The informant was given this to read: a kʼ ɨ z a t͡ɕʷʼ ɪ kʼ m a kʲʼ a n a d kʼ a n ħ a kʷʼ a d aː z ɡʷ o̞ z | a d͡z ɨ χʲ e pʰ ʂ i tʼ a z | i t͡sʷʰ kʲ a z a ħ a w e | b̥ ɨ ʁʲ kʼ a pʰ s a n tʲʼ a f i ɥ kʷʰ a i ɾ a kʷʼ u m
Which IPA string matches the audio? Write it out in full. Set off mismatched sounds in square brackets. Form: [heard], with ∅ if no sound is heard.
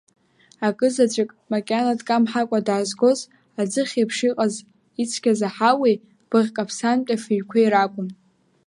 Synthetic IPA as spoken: a kʼ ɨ z a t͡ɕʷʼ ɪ kʼ m a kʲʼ a n a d kʼ a [m] ħ a kʷʼ a d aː z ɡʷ o̞ z | a d͡z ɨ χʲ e pʰ ʂ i [qʼ] a z | i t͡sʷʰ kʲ a z a ħ a w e | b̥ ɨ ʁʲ kʼ a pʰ s a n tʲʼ a f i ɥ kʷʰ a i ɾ a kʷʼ [ʊ] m

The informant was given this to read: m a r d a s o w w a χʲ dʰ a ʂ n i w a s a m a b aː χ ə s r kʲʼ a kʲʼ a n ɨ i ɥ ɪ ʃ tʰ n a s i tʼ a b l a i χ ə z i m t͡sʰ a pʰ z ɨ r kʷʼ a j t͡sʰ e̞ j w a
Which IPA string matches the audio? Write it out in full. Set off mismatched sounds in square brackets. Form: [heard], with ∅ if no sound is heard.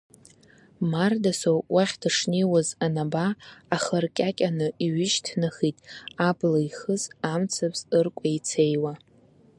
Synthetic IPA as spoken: m a r d a s o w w a χʲ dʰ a ʂ n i w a [z] a [n] a b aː χ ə [∅] r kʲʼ a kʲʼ a n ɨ i ɥ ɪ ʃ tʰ n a [χ] i tʼ a b l a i χ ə z [a] m t͡sʰ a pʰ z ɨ r kʷʼ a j t͡sʰ e̞ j w a

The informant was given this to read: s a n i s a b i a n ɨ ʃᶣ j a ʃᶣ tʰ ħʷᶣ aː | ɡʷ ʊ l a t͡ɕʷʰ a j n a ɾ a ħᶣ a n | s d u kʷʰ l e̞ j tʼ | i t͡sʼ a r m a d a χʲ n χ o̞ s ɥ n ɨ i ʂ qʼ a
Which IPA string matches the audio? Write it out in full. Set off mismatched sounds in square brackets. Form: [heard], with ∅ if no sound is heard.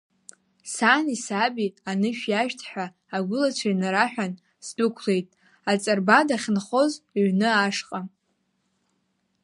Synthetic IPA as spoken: s a n i s a b i a n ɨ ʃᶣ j a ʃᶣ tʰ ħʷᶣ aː | ɡʷ ʊ l a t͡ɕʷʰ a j n a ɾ a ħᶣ a n | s d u kʷʰ l e̞ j tʼ | [a] t͡sʼ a r [b] a d a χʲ n χ o̞ [z] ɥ n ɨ [a] ʂ qʼ a

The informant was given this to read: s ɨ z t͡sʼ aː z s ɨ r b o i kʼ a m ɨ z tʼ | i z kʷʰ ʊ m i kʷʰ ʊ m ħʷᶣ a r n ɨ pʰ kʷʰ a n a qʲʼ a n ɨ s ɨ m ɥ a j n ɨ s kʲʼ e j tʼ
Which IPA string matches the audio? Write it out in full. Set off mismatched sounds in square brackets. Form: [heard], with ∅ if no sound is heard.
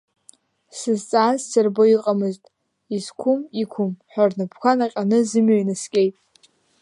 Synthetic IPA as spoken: s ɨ z t͡sʼ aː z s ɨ r b o i [qʼ] a m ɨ z tʼ | i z kʷʰ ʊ m i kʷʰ ʊ m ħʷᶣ a r n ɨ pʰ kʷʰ a n a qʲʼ a n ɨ [z] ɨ m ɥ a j n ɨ s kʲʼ e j tʼ

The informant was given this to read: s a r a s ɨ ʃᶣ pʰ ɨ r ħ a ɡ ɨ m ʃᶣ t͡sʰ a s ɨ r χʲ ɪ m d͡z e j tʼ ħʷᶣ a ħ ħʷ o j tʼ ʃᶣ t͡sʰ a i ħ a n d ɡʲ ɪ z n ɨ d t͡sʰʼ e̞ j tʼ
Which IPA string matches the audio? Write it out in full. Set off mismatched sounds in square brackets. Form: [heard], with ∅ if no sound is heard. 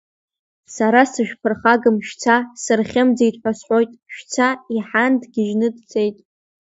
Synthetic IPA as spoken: s a [ɾ] a s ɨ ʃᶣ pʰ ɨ r [χ] a ɡ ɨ m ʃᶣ t͡sʰ a s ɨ r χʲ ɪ m d͡z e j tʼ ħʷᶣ a [s] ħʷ o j tʼ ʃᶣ t͡sʰ a i ħ a n d ɡʲ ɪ [ʒ] n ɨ d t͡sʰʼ e̞ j tʼ

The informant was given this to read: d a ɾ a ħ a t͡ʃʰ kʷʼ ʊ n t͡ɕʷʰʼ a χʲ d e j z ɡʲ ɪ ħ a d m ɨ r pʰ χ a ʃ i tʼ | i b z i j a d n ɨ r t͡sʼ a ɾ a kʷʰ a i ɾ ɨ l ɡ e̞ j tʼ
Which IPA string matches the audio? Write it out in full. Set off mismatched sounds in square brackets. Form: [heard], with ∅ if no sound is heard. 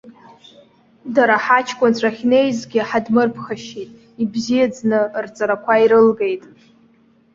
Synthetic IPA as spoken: d a ɾ a ħ a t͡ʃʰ kʷʼ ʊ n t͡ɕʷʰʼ a χʲ [n] e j z ɡʲ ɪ ħ a d m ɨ r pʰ χ a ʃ i tʼ | i b z i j a [d͡z] n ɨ r t͡sʼ a ɾ a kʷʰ a i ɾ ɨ l ɡ e̞ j tʼ

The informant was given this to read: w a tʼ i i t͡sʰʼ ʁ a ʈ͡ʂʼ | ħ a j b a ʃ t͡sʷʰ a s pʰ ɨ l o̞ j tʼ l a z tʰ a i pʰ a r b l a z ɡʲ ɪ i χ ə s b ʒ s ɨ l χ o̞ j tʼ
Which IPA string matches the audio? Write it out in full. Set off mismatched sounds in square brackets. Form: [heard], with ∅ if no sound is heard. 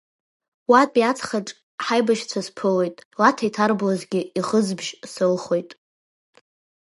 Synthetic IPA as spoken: w a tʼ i [a] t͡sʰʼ [χ] a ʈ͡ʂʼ | ħ a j b a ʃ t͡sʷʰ a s pʰ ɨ l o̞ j tʼ l a [∅] tʰ a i [tʰ] a r b l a z ɡʲ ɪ i χ ə [z] b ʒ s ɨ l χ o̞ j tʼ

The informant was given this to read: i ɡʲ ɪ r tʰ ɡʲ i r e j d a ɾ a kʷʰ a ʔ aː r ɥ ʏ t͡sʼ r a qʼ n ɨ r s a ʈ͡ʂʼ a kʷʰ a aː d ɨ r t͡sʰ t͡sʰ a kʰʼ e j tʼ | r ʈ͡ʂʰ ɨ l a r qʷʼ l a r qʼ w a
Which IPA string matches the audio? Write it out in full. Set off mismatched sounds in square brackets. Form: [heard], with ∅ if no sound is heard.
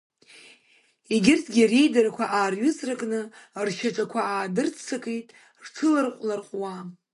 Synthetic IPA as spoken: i ɡʲ ɪ r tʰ ɡʲ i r e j d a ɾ a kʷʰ a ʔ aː r ɥ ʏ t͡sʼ r a [kʼ] n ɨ r [ʃ] a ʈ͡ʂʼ a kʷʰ a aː d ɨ r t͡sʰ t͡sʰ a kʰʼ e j tʼ | r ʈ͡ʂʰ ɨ l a r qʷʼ l a r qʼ w a

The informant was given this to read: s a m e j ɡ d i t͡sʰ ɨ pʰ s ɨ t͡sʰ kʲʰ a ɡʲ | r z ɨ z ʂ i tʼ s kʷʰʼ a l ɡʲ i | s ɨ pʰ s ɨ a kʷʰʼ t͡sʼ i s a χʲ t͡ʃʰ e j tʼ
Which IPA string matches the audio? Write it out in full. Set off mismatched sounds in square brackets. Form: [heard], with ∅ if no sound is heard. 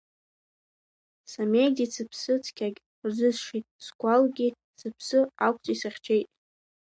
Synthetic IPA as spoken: s a m e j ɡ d i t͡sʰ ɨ pʰ s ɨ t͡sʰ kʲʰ a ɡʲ | r z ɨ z ʂ i tʼ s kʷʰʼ a l ɡʲ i | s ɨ pʰ s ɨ a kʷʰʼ t͡sʼ i s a χʲ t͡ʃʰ e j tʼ

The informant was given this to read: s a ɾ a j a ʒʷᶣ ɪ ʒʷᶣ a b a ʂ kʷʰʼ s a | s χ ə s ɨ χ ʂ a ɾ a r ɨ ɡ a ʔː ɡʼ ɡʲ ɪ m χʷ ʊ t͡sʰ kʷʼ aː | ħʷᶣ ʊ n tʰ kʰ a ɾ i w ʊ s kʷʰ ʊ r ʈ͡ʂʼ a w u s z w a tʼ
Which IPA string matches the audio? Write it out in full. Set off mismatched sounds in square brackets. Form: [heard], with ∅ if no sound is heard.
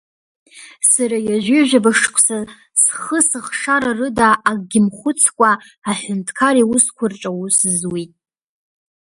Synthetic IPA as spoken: s a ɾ a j a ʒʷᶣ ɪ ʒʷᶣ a b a ʂ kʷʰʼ s a | s χ ə s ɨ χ ʂ a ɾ a r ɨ [d] a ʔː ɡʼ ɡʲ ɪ m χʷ ʊ t͡sʰ kʷʼ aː | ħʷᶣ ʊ n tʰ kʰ a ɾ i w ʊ s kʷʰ ʊ r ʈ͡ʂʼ a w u s z w [i] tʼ

